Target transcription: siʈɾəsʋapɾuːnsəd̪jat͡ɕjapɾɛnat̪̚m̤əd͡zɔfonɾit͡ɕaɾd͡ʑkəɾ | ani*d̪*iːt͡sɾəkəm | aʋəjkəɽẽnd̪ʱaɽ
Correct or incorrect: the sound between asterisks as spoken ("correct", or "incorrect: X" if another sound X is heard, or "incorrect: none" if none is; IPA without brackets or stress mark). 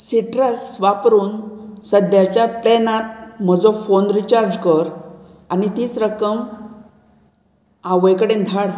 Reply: incorrect: t̪